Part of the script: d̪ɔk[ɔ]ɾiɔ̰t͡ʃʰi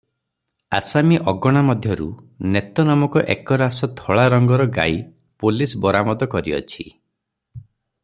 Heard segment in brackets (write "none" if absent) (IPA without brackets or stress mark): ɔ